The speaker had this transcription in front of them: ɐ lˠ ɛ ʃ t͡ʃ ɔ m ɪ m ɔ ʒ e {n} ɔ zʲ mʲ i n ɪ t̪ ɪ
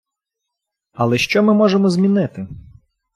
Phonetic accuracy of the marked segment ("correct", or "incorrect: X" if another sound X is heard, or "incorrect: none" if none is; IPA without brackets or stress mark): incorrect: m